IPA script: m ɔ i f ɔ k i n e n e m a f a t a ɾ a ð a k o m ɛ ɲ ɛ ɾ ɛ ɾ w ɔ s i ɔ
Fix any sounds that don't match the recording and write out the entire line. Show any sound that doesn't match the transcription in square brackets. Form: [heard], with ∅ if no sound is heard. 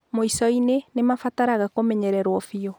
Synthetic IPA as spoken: m [o] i [s] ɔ [∅] i n e n e m a f a t a ɾ a [ɣ] a k o m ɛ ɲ ɛ ɾ ɛ ɾ w ɔ [f] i ɔ